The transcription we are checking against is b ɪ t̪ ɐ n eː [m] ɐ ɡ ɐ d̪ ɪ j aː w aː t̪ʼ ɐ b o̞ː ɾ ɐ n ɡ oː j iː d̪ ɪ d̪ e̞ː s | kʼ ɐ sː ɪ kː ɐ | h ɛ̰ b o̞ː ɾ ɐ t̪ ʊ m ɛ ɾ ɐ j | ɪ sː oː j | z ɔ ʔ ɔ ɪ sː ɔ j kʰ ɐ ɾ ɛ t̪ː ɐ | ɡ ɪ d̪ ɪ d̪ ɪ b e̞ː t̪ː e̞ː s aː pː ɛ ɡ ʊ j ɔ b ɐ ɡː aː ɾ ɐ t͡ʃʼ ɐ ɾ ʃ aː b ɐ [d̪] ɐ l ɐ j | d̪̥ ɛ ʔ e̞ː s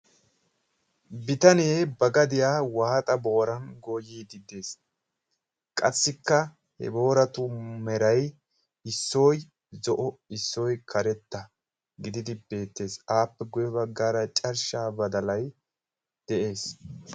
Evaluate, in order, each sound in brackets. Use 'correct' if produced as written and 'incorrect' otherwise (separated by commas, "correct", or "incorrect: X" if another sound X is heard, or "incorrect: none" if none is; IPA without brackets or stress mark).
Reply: incorrect: b, correct